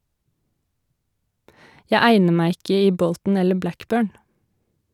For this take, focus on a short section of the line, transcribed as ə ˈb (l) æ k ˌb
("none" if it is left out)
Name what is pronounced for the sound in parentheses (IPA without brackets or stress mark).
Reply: l